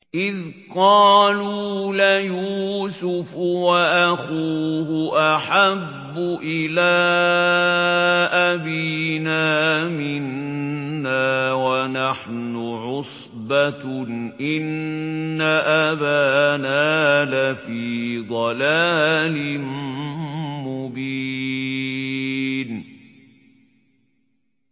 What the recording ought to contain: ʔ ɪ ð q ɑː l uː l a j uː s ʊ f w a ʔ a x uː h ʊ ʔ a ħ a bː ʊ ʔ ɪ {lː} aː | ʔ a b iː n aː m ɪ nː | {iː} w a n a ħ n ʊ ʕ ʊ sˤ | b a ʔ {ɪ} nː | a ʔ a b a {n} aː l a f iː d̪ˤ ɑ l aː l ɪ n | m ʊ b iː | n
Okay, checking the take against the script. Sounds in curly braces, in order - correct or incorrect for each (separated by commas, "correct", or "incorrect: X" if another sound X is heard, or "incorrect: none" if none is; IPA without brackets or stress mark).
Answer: incorrect: l, incorrect: aː, correct, correct